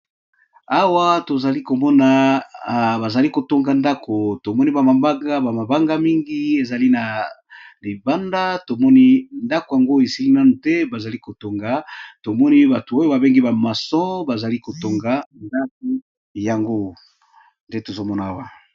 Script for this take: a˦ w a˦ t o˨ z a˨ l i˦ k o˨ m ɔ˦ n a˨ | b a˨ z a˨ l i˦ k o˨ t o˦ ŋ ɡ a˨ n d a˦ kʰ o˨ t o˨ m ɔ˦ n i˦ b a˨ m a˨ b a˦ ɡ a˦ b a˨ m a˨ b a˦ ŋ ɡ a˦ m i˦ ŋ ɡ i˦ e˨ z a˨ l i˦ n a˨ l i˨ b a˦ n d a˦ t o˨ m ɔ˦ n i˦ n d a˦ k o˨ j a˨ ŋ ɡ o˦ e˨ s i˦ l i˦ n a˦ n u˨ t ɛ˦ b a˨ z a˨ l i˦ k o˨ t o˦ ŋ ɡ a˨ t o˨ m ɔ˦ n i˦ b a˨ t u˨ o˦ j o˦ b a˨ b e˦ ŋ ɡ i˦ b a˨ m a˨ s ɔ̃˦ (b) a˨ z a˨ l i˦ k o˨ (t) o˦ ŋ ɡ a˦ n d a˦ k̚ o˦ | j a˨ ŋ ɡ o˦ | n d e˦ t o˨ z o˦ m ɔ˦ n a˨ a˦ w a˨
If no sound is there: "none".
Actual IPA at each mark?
b, t

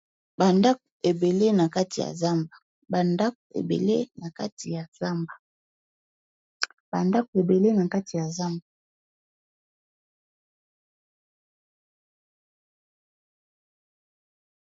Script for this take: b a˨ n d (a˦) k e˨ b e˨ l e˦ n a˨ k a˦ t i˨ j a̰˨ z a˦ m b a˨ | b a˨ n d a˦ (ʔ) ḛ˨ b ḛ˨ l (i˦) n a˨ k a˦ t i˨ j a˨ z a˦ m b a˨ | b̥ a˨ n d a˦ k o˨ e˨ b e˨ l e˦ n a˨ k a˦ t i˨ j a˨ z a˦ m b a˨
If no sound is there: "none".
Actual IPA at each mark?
a˦, k, e˦

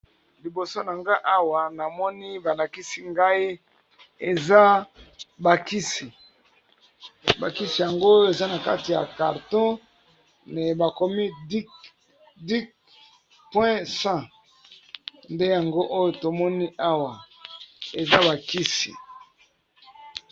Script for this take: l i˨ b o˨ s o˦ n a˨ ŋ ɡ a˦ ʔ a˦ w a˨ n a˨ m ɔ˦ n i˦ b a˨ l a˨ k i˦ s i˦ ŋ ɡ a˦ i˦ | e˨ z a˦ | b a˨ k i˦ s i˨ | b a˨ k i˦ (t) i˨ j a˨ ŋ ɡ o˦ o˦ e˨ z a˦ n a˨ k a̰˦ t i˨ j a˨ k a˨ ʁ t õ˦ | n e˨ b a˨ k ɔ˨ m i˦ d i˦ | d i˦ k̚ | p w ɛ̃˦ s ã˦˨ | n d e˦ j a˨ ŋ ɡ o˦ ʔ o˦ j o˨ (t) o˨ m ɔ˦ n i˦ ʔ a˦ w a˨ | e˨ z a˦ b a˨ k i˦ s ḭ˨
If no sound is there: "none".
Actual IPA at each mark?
s, t

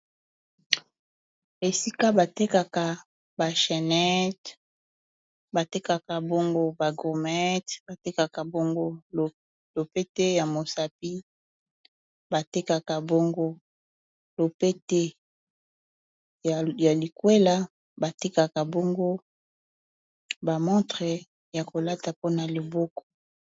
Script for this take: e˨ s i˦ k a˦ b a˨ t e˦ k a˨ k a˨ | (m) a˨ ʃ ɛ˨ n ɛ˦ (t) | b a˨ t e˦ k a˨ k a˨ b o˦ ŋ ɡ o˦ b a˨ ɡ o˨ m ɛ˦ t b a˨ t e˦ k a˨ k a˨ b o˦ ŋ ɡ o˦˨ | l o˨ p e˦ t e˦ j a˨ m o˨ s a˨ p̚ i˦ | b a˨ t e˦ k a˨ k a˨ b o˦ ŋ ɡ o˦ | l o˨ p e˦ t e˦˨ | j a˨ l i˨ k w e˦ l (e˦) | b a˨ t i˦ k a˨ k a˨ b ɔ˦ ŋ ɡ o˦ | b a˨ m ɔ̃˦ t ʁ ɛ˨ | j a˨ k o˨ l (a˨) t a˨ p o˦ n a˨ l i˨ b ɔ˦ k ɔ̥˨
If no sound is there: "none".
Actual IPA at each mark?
b, t, a˦, a˦

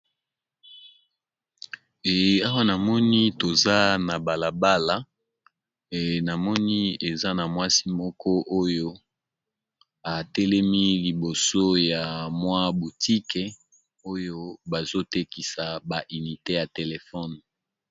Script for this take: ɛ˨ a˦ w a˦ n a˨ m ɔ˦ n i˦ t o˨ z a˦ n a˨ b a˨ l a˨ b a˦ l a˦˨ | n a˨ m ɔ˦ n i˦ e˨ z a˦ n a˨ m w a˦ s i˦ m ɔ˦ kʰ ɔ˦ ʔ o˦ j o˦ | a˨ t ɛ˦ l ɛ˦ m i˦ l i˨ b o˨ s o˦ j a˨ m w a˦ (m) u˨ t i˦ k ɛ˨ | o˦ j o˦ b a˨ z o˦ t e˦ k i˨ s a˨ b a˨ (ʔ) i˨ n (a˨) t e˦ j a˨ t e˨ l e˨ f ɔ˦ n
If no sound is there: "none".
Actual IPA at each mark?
b, ʔ, i˨

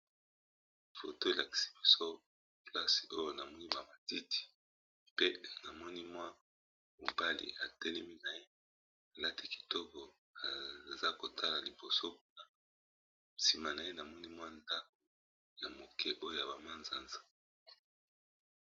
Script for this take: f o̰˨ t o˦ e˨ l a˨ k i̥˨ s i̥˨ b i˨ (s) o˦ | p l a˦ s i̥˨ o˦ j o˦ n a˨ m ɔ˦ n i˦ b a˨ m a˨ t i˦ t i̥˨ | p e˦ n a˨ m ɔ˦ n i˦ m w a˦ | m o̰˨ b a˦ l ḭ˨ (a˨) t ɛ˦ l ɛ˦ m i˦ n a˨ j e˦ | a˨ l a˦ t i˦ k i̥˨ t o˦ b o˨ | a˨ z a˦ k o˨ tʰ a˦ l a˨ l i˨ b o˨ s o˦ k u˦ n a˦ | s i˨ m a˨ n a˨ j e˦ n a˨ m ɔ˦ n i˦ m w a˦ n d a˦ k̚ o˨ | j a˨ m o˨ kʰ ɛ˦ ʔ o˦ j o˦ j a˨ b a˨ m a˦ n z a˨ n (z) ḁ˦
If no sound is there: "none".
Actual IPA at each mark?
s, a˨, z

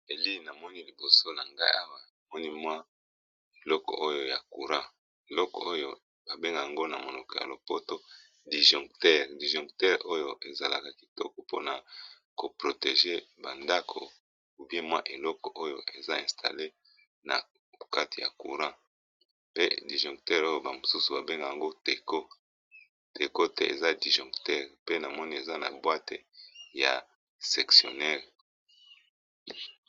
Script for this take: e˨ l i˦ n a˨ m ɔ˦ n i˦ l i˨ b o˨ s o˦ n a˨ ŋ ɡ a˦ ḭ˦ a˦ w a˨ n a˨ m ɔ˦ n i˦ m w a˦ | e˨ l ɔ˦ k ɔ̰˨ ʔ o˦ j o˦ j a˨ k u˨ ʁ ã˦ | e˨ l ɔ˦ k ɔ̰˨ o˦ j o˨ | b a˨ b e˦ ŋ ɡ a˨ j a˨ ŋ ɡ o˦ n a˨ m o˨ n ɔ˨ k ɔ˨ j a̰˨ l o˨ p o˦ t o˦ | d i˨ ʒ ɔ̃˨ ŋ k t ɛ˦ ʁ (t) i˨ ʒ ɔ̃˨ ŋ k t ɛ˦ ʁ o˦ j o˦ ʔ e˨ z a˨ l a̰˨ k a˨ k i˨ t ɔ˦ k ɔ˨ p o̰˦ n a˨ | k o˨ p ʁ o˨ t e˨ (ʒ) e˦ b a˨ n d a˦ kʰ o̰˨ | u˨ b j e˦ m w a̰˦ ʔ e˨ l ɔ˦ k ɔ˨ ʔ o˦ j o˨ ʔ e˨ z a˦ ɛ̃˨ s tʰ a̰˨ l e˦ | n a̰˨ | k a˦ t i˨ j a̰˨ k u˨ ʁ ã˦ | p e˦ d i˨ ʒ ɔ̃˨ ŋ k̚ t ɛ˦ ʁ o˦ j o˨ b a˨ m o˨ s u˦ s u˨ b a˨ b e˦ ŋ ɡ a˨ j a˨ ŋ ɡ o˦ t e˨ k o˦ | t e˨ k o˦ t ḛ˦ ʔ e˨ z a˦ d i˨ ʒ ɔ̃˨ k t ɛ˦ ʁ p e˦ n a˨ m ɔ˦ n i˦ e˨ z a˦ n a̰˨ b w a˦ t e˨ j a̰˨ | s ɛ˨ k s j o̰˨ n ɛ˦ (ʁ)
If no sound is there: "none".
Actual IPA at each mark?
d, ʒ, ʁ

